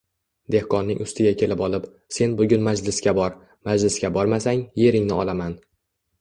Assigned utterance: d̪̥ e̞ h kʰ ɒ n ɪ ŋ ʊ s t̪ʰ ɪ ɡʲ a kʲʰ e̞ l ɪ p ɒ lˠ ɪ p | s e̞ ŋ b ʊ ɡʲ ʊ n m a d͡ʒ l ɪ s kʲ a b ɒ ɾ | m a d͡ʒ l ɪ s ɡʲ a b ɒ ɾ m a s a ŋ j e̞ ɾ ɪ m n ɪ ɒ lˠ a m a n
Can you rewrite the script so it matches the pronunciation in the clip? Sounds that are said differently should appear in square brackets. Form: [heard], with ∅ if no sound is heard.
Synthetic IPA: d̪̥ e̞ h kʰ ɒ [nː] ɪ ŋ ʊ s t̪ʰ ɪ ɡʲ a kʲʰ e̞ l ɪ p ɒ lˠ ɪ p | s e̞ [n] b ʊ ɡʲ ʊ n m a d͡ʒ l ɪ s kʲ a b ɒ ɾ | m a d͡ʒ l ɪ s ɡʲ a b ɒ ɾ m a s a ŋ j e̞ ɾ ɪ [ŋ] n ɪ ɒ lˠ a m a n